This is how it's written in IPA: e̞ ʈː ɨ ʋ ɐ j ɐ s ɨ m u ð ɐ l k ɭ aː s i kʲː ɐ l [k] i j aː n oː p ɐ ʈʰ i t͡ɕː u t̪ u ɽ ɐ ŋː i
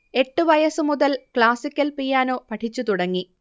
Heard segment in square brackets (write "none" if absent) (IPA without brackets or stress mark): p